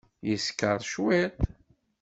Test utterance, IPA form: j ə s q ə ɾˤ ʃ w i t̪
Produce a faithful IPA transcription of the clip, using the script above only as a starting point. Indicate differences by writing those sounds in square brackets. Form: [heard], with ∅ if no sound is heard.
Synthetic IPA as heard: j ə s [k] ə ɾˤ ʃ w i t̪